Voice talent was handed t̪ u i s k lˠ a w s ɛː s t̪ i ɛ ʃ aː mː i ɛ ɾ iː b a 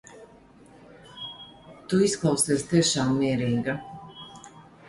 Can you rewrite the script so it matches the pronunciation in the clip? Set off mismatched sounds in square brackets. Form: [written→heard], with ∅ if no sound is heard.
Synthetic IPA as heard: t̪ u i s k lˠ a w s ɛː s t̪ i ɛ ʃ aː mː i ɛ ɾ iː [b→ɡ] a